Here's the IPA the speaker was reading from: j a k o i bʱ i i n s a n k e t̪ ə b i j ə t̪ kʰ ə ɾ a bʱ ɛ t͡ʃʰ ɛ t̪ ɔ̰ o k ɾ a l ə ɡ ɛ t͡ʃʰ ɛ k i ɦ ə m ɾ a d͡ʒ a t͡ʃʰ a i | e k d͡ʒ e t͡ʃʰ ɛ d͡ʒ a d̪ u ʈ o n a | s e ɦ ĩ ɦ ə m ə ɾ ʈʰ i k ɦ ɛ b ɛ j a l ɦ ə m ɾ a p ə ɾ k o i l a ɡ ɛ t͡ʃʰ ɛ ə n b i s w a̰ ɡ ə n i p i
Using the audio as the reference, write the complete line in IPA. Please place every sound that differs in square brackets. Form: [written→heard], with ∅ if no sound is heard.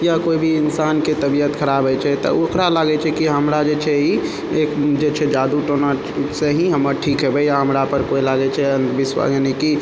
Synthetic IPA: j a k o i bʱ i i n s a n k e t̪ ə b i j ə t̪ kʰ ə ɾ a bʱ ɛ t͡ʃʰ ɛ t̪ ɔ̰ o k ɾ a l [ə→a] ɡ ɛ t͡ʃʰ ɛ k i ɦ ə m ɾ a d͡ʒ [a→e] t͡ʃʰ [a→ɛ] i | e k d͡ʒ e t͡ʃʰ ɛ d͡ʒ a d̪ u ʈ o n a | s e ɦ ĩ ɦ ə m ə ɾ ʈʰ i k ɦ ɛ b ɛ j a [l→∅] ɦ ə m ɾ a p ə ɾ k o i l a ɡ ɛ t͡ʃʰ ɛ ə n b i s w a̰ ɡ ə n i [p→k] i

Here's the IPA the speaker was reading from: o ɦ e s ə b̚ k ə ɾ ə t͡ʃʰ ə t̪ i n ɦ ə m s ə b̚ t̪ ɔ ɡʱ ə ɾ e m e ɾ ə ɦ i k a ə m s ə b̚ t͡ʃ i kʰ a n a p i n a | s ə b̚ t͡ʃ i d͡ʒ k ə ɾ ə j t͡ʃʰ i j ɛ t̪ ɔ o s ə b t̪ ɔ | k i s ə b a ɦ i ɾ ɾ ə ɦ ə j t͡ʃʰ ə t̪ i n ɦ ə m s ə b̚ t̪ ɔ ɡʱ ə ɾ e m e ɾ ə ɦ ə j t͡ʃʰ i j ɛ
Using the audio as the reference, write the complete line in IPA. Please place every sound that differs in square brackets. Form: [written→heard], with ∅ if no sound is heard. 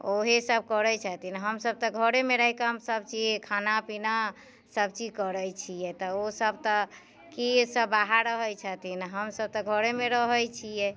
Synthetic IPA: o ɦ e s ə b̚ k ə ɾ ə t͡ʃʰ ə t̪ i n ɦ ə m s ə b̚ t̪ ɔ ɡʱ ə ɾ e m e ɾ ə ɦ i k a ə m s ə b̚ t͡ʃ i kʰ a n a p i n a | s ə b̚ t͡ʃ i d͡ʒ k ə ɾ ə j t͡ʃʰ i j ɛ t̪ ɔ o s ə b t̪ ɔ | k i s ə b a ɦ [i→a] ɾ ɾ ə ɦ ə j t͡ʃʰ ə t̪ i n ɦ ə m s ə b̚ t̪ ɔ ɡʱ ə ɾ e m e ɾ ə ɦ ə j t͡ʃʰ i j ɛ

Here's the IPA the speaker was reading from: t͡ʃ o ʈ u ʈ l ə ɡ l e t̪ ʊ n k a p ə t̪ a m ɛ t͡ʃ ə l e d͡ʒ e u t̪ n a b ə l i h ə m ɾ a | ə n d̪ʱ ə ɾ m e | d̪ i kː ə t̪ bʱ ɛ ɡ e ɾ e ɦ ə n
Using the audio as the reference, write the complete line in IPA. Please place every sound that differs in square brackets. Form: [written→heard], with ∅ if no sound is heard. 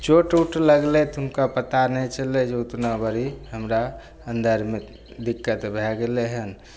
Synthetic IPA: t͡ʃ o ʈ u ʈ l ə ɡ l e t̪ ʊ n k a p ə t̪ a [m→n] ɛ t͡ʃ ə l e d͡ʒ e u t̪ n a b ə [l→ɾ] i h ə m ɾ a | ə n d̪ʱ ə ɾ m e | d̪ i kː ə t̪ bʱ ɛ ɡ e [ɾ→l] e ɦ ə n

